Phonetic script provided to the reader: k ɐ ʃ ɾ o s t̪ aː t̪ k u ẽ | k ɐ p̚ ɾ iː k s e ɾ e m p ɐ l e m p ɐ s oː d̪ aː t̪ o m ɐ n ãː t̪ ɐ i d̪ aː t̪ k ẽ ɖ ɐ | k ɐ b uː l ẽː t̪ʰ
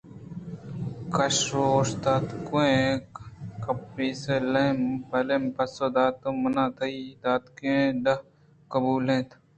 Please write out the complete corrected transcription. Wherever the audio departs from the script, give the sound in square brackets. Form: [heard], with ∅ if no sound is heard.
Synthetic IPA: k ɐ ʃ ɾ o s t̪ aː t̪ k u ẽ | k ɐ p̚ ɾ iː [∅] s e [l] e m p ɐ l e m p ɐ s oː d̪ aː t̪ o m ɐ n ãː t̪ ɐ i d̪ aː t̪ k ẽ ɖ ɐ | k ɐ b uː l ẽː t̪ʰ